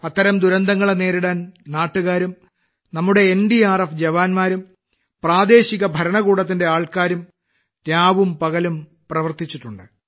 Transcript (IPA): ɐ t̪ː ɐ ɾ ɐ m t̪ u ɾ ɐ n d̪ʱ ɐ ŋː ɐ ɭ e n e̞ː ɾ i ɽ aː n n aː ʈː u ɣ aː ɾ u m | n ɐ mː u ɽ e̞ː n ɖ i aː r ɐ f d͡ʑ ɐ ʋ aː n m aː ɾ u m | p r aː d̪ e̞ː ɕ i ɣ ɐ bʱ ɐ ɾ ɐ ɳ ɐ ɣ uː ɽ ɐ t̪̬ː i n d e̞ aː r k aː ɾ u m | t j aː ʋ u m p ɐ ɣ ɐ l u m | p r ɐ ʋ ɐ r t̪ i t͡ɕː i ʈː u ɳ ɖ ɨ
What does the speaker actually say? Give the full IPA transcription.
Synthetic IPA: ɐ t̪ː ɐ ɾ ɐ m d̪ u ɾ ɐ n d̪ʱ ɐ ŋː ɐ ɭ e n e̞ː ɾ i ɽ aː n n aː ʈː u ɣ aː ɾ u m | n ɐ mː u ɽ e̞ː n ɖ i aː r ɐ f d͡ʑ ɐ ʋ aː n m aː ɾ u m | p r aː d̪ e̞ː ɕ i ɣ ɐ bʱ ɐ ɾ ɐ ɳ ɐ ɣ uː ɽ ɐ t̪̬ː i n d e̞ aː ɭ k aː ɾ u m | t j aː ʋ u m p ɐ ɣ ɐ l u m | p r ɐ ʋ ɐ r t̪ i t͡ɕː i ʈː u ɳ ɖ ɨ

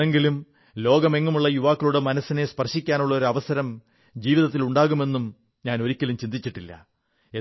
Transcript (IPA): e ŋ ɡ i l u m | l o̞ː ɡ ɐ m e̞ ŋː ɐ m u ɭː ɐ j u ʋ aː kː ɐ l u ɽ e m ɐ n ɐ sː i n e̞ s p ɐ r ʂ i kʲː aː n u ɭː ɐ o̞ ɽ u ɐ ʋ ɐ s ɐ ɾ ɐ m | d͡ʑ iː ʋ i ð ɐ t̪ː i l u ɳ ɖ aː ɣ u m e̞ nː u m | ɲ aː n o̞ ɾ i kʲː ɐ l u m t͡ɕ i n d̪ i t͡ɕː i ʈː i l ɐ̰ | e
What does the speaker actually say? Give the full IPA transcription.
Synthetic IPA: e ŋ ɡ i l u m | l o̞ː ɡ ɐ m e̞ ŋː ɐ m u ɭː ɐ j u ʋ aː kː ɐ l u ɽ e m ɐ n ɐ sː i n e̞ s p ɐ r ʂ i kʲː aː n u ɭː ɐ o̞ ɾ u ɐ ʋ ɐ s ɐ ɾ ɐ m | d͡ʑ iː ʋ i ð ɐ t̪ː i l u ɳ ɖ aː ɣ u m e̞ nː u m | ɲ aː n o̞ ɾ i kʲː ɐ l u m t͡ɕ i n d̪ i t͡ɕː i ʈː i lː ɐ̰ | e

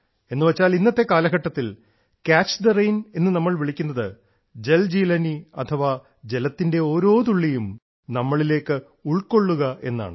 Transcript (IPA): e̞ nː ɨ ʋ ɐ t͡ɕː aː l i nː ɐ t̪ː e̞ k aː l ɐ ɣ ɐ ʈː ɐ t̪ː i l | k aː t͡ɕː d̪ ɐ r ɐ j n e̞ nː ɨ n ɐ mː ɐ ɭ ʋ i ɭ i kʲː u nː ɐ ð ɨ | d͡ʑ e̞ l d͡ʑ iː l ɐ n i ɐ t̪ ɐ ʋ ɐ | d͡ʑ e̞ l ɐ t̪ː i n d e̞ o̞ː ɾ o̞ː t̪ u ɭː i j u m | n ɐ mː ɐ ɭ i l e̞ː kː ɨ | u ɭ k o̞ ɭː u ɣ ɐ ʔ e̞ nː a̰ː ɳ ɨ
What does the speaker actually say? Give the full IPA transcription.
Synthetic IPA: e̞ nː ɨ ʋ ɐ t͡ɕː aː l i nː ɐ t̪ː e̞ k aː l ɐ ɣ ɐ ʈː ɐ t̪ː i l | k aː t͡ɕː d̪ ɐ r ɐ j n e̞ nː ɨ n ɐ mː ɐ ɭ ʋ i ɭ i kʲː u nː ɐ ð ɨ | d͡ʑ e̞ l d͡ʑ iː l ɐ n i ɐ t̪ʰ ɐ ʋ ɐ | d͡ʑ e̞ l ɐ t̪ː i n d e̞ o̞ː ɾ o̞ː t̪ u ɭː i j u m | n ɐ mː ɐ ɭ i l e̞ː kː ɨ | u ɭ k o̞ ɭː u ɣ ɐ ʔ e̞ nː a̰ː ɳ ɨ

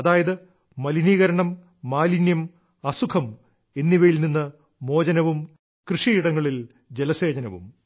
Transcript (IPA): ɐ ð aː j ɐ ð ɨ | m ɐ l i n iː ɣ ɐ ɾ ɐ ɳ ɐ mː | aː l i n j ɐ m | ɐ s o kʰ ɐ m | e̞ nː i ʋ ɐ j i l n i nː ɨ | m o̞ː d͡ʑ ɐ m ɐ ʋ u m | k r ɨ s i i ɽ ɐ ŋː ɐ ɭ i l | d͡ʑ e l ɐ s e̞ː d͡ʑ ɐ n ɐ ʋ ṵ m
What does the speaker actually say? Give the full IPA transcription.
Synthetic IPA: ɐ ð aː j ɐ ð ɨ | m ɐ l i n iː ɣ ɐ ɾ ɐ ɳ ɐ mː | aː l i n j ɐ m | ɐ s u kʰ ɐ m | e̞ nː i ʋ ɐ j i l n i nː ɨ | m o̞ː d͡ʑ ɐ n ɐ ʋ u m | k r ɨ ʂ i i ɽ ɐ ŋː ɐ ɭ i l | d͡ʑ e l ɐ s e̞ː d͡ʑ ɐ n ɐ ʋ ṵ m

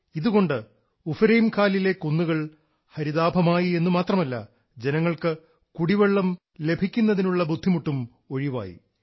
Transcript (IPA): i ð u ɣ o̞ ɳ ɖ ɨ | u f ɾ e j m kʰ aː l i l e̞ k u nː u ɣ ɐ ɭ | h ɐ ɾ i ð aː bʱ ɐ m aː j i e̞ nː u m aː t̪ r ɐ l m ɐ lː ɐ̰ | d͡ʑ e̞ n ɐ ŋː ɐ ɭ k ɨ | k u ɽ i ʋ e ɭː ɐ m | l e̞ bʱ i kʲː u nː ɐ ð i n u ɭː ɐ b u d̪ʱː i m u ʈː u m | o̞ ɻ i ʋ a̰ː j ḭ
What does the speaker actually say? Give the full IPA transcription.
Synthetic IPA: i ð u ɣ o̞ ɳ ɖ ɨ | u f ɾ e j m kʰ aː l i l e̞ k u nː u ɣ ɐ ɭ | h ɐ ɾ i ð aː bʱ ɐ m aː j i e̞ nː u m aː t̪ r ɐ m ɐ lː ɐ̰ | d͡ʑ e̞ n ɐ ŋː ɐ ɭ k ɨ | k u ɽ i ʋ e ɭː ɐ m | l e̞ bʱ i kʲː u nː ɐ ð i n u ɭː ɐ b u d̪ʱː i m u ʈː u m | o̞ ɻ i ʋ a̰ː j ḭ

